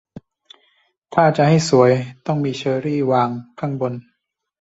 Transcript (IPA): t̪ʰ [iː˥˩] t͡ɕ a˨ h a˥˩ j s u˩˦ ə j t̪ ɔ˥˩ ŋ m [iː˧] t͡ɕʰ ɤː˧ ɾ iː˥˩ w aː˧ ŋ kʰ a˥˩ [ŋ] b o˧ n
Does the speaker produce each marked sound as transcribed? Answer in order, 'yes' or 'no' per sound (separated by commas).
no, yes, yes